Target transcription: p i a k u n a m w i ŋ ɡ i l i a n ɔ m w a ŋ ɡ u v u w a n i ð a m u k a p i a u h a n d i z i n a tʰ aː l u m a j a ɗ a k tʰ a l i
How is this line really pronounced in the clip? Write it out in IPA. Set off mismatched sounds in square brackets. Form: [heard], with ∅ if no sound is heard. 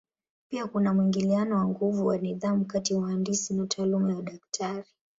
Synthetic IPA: p i a k u n a m w i ŋ ɡ i l i a n ɔ [∅] w a ŋ ɡ u v u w a n i ð a m u k a [t] i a u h a n d i [s] i n a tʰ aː l u m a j a ɗ a k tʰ a [ɾ] i